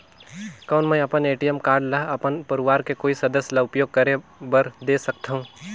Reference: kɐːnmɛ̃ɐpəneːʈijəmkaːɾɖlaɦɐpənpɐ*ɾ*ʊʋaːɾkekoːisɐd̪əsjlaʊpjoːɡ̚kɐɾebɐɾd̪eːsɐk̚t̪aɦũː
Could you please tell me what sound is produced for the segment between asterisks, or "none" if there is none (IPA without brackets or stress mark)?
ɾ